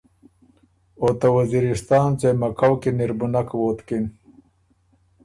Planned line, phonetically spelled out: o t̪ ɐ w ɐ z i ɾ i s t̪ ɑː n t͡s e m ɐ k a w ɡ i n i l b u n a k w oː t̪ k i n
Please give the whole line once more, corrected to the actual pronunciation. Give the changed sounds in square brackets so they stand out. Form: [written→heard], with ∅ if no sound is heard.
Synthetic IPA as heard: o t̪ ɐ w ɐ z i ɾ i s t̪ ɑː n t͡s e m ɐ k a w [ɡ→k] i n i [l→ɾ] b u n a k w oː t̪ k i n